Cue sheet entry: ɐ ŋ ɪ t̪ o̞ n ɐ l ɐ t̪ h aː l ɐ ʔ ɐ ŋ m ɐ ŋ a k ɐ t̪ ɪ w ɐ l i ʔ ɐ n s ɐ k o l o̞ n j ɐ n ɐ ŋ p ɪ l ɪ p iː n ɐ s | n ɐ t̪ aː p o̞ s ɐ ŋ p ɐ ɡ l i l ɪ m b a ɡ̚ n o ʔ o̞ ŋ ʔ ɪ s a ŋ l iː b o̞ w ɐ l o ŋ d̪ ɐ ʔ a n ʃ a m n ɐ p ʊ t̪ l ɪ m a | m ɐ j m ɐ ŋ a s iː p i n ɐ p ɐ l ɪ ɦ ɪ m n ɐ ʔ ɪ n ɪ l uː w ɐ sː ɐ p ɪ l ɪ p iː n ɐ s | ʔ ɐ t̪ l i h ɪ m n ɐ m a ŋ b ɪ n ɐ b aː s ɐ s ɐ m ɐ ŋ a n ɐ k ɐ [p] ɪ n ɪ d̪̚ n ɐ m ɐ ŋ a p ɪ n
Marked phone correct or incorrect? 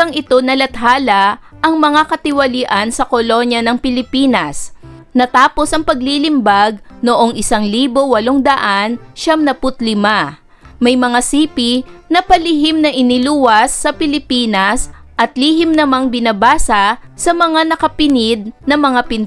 correct